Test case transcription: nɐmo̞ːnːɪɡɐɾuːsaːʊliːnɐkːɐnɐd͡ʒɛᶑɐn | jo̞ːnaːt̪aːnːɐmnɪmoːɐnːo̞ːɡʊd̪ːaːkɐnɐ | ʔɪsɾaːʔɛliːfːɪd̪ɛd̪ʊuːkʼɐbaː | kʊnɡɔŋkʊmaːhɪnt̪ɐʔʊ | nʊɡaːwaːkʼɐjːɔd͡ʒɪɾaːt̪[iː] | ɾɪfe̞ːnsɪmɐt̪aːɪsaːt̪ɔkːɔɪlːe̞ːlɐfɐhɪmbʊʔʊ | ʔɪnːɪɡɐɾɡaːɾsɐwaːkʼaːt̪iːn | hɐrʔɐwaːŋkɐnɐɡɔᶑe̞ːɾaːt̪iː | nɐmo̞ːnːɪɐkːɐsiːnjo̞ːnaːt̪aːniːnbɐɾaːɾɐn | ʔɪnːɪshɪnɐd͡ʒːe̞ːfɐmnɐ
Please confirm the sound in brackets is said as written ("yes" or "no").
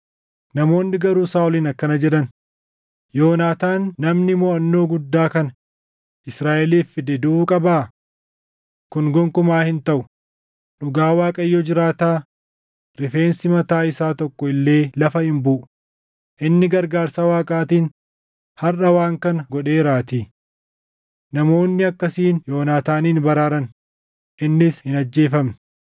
no